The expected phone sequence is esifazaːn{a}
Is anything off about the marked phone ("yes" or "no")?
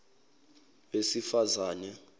yes